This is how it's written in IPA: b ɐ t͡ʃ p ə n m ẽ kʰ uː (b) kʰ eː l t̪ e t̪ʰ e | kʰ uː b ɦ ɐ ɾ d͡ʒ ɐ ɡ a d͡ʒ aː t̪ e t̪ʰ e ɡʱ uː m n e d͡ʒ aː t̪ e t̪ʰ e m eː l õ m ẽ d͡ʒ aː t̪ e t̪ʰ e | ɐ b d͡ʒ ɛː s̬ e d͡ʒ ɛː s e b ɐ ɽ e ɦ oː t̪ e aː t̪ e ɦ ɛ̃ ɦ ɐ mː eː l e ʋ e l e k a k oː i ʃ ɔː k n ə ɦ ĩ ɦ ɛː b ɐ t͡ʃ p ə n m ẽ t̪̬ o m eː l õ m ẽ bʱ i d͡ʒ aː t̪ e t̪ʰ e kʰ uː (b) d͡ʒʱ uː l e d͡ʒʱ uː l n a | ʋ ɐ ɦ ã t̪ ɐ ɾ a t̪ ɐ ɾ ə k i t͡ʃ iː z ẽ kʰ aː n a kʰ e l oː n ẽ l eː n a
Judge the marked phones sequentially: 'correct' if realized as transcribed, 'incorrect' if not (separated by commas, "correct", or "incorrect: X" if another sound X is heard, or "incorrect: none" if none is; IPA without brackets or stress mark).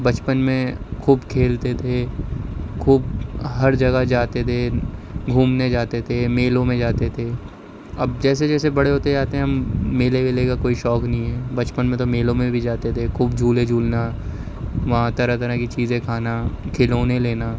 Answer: correct, correct